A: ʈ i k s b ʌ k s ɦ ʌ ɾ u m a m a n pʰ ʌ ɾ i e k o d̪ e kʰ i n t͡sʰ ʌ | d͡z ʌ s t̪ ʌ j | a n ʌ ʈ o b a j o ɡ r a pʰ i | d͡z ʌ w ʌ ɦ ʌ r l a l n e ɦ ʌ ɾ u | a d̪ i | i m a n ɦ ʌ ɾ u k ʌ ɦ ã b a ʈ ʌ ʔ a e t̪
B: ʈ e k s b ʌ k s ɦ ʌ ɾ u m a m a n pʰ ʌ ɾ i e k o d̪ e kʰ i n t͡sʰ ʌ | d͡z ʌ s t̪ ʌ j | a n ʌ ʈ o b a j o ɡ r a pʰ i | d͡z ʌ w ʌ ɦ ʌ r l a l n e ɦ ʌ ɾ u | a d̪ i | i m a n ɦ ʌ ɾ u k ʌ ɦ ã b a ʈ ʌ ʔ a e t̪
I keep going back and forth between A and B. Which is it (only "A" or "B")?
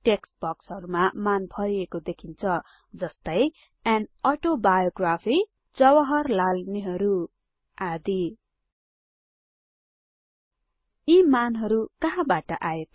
B